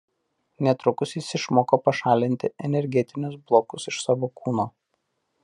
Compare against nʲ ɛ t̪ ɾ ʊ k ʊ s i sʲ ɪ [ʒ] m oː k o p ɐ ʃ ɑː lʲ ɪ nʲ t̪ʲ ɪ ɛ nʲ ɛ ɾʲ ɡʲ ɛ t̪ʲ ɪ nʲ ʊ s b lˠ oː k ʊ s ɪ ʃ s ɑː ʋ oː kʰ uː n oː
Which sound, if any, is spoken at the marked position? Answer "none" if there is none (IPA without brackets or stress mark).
ʃ